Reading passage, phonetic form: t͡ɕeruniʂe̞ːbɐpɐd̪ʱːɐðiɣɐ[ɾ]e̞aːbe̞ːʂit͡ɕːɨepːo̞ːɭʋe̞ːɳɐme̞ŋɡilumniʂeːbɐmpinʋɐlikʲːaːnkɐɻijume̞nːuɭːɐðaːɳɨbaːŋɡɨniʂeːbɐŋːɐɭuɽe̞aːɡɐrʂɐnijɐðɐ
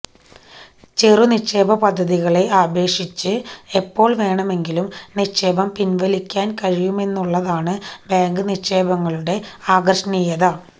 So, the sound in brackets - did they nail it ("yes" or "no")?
no